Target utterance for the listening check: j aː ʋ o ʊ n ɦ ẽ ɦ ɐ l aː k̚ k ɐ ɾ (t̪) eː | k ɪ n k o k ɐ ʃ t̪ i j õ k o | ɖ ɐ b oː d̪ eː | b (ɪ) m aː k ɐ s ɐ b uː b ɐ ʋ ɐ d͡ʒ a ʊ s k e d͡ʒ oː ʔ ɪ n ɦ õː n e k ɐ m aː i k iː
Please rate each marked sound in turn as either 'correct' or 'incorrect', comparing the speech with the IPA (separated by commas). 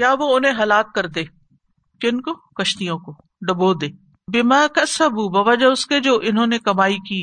incorrect, correct